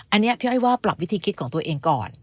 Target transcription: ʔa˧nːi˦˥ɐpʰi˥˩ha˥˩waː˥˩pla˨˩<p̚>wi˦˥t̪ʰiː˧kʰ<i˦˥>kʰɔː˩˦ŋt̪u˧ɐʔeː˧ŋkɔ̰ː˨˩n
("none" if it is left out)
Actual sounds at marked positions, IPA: p̚, i˦˥

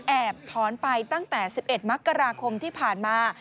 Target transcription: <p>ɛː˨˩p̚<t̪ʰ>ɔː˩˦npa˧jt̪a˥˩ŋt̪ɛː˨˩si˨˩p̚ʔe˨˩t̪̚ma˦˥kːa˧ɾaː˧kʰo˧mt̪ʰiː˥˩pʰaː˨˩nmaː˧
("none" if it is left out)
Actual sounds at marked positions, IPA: ʔ, t̪ʰ

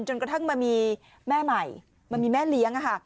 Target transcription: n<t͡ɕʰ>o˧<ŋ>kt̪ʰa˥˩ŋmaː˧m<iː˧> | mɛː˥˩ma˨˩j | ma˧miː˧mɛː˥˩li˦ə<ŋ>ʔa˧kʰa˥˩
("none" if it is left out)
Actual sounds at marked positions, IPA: t͡ɕ, n, iː˧, ŋ

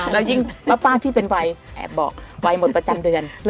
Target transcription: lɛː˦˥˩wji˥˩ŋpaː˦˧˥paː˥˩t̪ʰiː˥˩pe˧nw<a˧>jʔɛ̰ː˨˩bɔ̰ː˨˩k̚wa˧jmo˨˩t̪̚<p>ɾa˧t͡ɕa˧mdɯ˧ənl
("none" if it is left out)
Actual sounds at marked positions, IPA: a˧, p

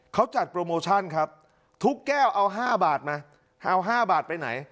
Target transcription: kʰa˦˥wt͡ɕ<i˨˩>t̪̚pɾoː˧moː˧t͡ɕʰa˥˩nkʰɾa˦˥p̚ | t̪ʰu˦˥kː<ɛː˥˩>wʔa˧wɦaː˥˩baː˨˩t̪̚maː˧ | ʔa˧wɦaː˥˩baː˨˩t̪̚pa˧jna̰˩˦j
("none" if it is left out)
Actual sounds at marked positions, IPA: a˨˩, ɛː˥˩

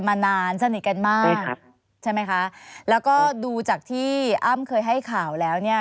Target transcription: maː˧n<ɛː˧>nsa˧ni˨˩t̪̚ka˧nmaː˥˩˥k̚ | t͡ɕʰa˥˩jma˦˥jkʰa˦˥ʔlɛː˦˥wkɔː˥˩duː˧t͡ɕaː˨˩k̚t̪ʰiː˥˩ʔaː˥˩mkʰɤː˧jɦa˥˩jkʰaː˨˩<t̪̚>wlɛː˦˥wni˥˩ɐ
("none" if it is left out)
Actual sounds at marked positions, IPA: aː˧, none

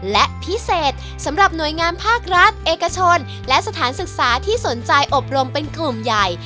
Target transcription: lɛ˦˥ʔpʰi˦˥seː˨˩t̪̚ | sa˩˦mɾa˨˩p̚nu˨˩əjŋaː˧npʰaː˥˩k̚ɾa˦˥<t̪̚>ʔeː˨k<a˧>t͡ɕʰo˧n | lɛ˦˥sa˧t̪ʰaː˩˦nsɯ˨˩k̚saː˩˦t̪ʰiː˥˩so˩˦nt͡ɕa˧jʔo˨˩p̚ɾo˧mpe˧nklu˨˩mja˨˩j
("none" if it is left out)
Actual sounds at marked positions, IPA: t̪̚, a˧

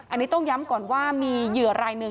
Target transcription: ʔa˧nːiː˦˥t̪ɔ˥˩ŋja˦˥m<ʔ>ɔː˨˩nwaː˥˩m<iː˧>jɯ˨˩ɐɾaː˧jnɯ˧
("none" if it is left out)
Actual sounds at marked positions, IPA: k, iː˧

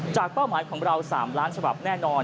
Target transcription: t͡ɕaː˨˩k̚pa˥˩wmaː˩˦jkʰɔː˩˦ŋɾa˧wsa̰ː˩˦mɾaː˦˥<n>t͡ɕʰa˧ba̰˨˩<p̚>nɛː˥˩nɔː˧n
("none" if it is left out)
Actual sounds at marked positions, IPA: n, p̚

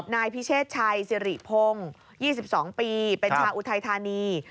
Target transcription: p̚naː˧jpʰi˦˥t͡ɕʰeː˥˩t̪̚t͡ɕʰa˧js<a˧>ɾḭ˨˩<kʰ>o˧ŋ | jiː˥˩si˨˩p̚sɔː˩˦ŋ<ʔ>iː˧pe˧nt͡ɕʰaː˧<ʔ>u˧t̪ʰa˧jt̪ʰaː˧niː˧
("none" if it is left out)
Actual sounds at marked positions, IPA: i˧, pʰ, p, ʔ

